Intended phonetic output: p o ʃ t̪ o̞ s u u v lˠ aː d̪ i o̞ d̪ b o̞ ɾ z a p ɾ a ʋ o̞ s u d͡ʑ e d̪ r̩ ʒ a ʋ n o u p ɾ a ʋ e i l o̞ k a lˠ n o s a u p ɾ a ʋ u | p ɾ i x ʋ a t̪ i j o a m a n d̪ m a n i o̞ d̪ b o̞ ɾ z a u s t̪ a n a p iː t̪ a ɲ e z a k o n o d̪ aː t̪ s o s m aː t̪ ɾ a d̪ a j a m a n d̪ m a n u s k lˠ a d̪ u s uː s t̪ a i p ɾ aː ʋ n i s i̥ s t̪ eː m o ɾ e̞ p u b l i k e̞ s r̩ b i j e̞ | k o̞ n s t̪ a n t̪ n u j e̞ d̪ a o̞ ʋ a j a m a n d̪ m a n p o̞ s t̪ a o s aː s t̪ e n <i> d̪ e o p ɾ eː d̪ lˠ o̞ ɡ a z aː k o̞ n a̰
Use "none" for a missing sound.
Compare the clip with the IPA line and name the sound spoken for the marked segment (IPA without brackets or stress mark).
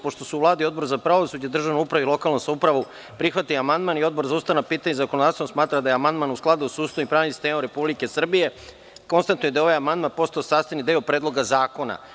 i